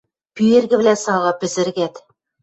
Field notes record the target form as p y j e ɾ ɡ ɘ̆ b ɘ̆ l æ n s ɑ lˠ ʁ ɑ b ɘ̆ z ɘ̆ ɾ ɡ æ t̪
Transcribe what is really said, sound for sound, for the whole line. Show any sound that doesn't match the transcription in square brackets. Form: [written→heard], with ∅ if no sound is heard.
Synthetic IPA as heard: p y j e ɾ ɡ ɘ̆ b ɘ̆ l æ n s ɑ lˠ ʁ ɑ [b→p] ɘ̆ z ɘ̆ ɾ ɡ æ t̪